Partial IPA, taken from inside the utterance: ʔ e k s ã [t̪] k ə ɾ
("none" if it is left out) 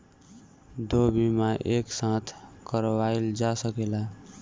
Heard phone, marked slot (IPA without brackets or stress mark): t̪ʰ